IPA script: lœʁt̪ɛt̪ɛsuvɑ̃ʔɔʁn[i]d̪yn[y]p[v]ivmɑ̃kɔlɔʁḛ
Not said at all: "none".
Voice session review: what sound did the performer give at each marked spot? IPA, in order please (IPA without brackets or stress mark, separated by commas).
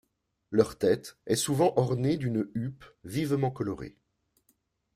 e, y, v